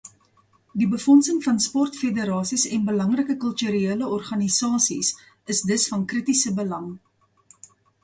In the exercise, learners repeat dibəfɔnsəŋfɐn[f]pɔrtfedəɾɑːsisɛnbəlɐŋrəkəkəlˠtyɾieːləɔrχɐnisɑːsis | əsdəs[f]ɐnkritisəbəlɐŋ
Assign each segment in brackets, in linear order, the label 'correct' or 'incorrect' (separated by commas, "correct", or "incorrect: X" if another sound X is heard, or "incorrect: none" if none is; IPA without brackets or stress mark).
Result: incorrect: s, correct